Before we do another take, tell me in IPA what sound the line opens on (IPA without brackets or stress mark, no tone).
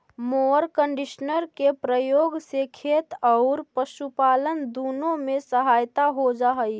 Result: m